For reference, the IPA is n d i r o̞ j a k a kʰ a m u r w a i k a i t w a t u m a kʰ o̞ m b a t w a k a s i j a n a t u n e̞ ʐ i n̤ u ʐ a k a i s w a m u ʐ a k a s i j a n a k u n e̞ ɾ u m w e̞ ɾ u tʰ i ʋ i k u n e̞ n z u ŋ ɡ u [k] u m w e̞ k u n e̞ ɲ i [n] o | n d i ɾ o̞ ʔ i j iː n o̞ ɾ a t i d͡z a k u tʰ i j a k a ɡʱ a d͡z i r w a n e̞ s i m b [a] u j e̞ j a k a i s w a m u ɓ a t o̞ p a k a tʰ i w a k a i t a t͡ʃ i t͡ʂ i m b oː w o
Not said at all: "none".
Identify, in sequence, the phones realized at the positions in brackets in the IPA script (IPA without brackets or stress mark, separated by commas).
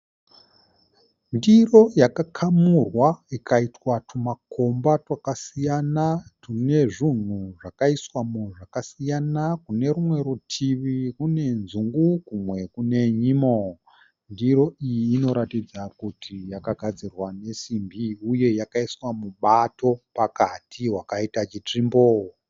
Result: k, m, i